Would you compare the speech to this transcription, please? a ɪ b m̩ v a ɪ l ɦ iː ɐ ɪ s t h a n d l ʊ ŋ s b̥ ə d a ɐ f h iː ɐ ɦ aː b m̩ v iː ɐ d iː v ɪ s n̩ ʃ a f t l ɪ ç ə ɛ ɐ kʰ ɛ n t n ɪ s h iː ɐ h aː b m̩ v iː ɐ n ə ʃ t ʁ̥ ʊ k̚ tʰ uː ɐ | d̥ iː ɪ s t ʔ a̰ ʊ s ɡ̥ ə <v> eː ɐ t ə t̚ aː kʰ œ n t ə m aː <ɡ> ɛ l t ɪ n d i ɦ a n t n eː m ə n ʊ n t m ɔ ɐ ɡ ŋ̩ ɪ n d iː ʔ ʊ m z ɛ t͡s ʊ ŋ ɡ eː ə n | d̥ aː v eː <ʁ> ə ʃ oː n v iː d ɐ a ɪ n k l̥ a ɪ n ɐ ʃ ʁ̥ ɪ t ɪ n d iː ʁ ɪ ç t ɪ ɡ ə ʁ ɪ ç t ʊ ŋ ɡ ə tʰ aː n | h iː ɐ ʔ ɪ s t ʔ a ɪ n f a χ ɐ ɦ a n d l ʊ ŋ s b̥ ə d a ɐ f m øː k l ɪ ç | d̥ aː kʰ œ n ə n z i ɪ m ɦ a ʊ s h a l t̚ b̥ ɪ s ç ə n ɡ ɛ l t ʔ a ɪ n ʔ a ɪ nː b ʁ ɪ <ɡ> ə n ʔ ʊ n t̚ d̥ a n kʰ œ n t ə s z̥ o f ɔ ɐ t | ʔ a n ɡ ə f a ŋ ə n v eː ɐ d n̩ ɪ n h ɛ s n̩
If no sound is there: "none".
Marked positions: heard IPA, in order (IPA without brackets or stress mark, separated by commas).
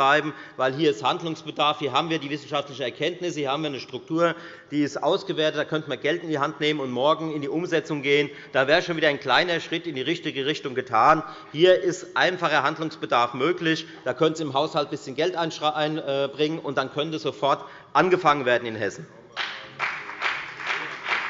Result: v, ɡ, ʁ, ŋ